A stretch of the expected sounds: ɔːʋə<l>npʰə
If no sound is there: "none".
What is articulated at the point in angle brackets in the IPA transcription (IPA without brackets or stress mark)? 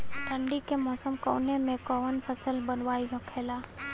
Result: none